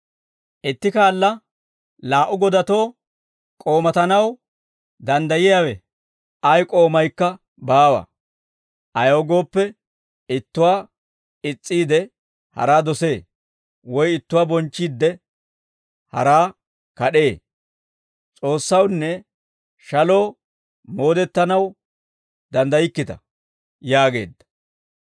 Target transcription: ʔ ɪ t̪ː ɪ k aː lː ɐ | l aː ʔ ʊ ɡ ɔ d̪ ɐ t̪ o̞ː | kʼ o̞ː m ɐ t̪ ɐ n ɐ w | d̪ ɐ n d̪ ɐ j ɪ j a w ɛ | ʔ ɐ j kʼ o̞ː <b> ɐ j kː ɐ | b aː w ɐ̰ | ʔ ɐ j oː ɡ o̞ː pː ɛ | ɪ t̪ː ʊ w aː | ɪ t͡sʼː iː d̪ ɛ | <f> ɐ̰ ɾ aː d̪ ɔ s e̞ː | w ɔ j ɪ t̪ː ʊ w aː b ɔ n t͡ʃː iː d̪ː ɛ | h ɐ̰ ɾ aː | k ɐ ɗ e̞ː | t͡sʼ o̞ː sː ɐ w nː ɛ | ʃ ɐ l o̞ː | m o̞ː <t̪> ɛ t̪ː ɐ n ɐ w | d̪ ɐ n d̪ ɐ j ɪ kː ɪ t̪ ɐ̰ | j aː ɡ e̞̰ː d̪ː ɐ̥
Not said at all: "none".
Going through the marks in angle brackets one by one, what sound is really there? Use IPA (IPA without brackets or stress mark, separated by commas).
m, h, d̪